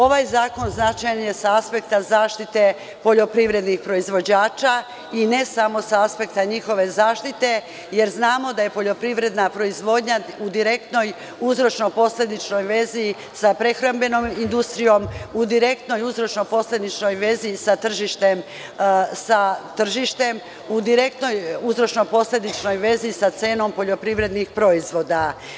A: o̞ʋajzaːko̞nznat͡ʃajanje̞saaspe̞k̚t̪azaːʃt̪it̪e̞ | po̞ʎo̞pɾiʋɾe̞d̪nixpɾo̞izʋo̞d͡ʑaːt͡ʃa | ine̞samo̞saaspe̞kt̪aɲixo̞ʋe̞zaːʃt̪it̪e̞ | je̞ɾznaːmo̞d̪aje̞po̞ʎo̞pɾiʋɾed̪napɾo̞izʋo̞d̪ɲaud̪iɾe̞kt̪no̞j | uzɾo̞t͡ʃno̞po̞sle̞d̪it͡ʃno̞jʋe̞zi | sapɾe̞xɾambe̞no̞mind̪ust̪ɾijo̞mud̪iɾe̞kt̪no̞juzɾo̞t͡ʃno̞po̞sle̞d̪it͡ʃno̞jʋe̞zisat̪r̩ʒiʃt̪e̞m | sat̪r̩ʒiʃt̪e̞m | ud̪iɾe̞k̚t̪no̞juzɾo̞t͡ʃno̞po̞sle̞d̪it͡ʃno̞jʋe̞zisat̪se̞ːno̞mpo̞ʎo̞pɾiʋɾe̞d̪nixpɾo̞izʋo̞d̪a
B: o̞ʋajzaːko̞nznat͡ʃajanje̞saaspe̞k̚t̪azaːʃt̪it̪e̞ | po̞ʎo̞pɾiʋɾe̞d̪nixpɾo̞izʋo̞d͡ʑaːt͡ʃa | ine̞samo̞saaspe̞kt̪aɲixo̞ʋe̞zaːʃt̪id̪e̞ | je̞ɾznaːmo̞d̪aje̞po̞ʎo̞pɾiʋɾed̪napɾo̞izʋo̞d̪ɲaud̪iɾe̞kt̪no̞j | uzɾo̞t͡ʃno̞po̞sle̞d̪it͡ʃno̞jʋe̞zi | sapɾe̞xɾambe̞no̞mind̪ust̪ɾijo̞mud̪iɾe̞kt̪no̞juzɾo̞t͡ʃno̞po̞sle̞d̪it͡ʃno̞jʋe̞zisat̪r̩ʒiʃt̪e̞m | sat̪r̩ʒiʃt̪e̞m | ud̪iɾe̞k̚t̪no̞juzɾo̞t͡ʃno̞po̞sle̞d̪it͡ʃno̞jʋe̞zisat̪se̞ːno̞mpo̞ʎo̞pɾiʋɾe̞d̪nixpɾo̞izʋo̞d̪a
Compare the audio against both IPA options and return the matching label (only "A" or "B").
A